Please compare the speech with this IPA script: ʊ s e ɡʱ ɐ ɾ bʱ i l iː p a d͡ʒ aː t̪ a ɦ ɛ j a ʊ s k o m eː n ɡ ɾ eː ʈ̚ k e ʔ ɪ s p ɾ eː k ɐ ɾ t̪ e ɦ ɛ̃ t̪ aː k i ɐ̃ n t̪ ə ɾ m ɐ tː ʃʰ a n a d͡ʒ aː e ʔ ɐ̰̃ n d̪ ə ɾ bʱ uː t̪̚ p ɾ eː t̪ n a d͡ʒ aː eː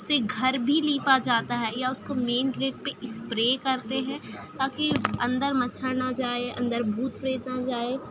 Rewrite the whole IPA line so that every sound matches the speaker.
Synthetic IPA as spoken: ʊ s e ɡʱ ɐ ɾ bʱ i l iː p a d͡ʒ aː t̪ a ɦ ɛ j a ʊ s k o m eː n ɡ ɾ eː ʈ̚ p e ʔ ɪ s p ɾ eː k ɐ ɾ t̪ e ɦ ɛ̃ t̪ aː k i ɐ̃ n d̪ ə ɾ m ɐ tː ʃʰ a n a d͡ʒ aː e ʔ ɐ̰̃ n d̪ ə ɾ bʱ uː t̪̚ p ɾ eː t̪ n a d͡ʒ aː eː

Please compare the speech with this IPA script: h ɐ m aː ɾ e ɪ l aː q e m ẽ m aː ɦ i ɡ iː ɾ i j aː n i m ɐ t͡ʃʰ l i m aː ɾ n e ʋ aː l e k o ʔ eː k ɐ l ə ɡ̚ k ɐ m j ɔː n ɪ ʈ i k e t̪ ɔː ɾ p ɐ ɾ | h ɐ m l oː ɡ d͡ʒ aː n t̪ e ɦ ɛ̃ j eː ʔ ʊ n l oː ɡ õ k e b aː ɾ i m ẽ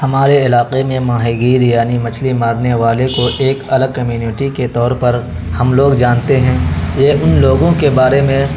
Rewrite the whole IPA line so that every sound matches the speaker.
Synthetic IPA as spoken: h ɐ m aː ɾ e ɪ l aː q e m ẽ m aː ɦ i ɡ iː ɾ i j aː n i m ɐ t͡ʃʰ l i m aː ɾ n e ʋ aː l e k o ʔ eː k ɐ l ə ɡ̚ k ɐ m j uː n ɪ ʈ i k e t̪ ɔː ɾ p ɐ ɾ | h ɐ m l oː ɡ d͡ʒ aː n t̪ e ɦ ɛ̃ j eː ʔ ʊ n l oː ɡ õ k e b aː ɾ e m ẽ

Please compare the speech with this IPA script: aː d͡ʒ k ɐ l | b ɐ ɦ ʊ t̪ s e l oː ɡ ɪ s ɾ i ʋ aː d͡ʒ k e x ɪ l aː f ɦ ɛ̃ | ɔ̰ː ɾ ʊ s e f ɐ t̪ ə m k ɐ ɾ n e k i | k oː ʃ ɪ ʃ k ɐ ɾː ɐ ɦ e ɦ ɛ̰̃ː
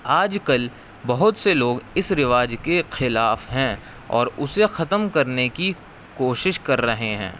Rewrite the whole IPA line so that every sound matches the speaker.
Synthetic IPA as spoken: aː d͡ʒ k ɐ l | b ɐ ɦ ʊ t̪ s e l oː ɡ ɪ s ɾ ɪ ʋ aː d͡ʒ k e x ɪ l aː f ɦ ɛ̃ | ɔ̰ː ɾ ʊ s e x ɐ t̪ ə m k ɐ ɾ n e k i | k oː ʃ ɪ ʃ k ɐ ɾː ɐ ɦ e ɦ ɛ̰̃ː

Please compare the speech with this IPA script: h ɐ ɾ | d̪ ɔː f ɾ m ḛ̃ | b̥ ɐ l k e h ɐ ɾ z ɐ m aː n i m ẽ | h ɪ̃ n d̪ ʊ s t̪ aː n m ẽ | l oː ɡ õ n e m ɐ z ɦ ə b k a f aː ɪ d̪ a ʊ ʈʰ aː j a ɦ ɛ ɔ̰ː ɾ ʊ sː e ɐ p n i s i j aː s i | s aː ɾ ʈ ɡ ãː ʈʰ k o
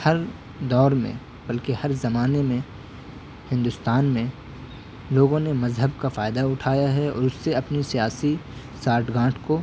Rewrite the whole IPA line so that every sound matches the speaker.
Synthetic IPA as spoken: h ɐ ɾ | d̪ ɔː ɾ m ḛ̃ | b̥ ɐ l k e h ɐ ɾ z ɐ m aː n e m ẽ | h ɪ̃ n d̪ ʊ s t̪ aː n m ẽ | l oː ɡ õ n e m ɐ z ɦ ə b k a f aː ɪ d̪ a ʊ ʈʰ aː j a ɦ ɛ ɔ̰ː ɾ ʊ sː e ɐ p n i s i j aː s i | s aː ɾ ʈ ɡ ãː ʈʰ k o

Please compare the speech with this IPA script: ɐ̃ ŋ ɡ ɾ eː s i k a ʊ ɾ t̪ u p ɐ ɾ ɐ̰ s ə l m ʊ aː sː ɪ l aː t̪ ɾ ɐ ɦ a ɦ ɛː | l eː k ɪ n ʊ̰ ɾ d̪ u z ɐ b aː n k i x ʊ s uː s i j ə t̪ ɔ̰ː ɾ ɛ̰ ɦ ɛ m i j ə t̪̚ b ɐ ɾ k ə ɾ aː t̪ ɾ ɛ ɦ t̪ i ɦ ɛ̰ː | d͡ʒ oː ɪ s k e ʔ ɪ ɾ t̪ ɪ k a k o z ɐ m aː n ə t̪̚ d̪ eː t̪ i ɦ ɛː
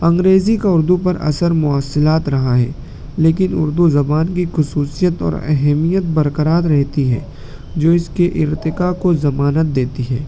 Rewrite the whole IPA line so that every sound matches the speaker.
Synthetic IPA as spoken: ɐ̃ ŋ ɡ ɾ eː z i k a ʊ ɾ d̪ u p ɐ ɾ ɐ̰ s ə ɾ m ʊ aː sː ɪ l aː t̪ ɾ ɐ ɦ a ɦ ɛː | l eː k ɪ n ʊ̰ ɾ d̪ u z ɐ b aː n k i x ʊ s uː s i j ə t̪ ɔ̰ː ɾ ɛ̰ ɦ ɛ m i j ə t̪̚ b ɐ ɾ k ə ɾ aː t̪ ɾ ɛ ɦ t̪ i ɦ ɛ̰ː | d͡ʒ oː ɪ s k e ʔ ɪ ɾ t̪ ɪ k a k o z ɐ m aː n ə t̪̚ d̪ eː t̪ i ɦ ɛː

